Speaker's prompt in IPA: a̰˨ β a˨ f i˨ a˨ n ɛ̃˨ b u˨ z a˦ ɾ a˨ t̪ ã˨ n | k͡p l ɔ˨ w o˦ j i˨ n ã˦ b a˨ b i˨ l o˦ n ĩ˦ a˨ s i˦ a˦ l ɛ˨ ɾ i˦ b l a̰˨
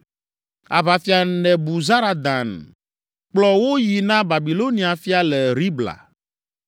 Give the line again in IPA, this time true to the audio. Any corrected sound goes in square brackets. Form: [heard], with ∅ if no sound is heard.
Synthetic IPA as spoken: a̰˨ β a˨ f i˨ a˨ n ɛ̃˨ b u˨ z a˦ ɾ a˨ [d̪] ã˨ n | k͡p l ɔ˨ w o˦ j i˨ n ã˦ b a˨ b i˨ l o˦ n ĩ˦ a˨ [f] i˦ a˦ l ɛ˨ ɾ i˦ b l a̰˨